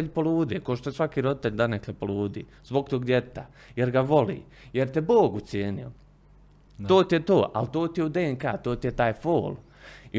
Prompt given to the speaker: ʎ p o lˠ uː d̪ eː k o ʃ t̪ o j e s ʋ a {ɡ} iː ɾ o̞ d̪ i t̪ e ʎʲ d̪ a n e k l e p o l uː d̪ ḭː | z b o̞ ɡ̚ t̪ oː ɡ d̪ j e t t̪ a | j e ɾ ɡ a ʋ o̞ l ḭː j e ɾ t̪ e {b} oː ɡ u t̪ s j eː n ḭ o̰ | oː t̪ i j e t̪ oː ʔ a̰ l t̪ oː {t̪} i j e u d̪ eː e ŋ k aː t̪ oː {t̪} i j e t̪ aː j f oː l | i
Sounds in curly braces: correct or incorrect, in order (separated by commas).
incorrect, correct, correct, correct